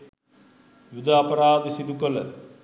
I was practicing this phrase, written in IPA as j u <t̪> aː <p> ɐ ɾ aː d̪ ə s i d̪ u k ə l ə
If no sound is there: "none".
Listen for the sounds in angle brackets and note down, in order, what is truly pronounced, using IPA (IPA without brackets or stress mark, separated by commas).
d̪, p